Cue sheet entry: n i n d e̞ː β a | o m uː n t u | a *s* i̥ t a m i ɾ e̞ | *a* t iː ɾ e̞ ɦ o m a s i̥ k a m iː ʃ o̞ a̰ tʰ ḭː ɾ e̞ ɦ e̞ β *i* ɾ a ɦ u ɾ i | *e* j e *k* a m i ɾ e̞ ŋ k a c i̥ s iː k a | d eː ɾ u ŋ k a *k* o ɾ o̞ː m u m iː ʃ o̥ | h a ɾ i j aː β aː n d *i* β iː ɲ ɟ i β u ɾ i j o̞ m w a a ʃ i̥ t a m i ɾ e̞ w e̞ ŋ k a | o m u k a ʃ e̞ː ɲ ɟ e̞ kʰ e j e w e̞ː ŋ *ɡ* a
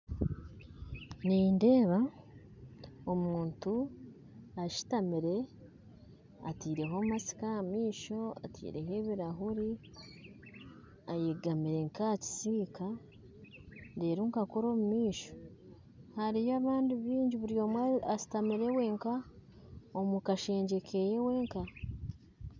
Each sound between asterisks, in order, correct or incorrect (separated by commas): incorrect, correct, correct, incorrect, incorrect, correct, correct, incorrect